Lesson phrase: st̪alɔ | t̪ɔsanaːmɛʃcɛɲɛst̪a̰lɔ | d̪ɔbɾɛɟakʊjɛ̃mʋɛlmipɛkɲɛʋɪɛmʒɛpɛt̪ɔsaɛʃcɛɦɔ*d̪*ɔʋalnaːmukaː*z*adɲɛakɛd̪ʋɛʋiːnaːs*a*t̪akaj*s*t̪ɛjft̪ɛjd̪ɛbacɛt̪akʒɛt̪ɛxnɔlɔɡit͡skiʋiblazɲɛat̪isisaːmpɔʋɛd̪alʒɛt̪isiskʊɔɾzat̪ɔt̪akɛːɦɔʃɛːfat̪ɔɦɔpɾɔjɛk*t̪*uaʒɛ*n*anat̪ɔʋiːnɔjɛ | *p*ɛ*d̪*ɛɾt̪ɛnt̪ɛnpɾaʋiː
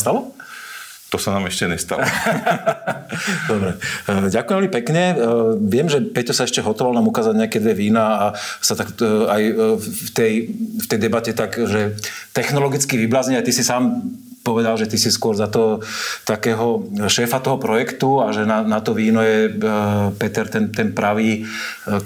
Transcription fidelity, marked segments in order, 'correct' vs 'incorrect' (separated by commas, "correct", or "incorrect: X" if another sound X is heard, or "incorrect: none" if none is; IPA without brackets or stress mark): incorrect: t̪, correct, correct, incorrect: f, correct, correct, correct, incorrect: t̪